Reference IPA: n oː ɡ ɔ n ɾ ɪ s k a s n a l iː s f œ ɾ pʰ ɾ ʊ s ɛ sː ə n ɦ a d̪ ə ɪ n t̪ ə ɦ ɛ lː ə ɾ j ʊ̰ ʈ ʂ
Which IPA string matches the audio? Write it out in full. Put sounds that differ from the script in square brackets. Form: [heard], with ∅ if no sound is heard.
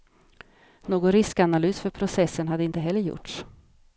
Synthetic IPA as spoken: n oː ɡ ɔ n ɾ ɪ s k a [∅] n a l [yː] s f œ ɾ pʰ ɾ ʊ s ɛ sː ə n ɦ a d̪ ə ɪ n t̪ ə ɦ ɛ lː ə ɾ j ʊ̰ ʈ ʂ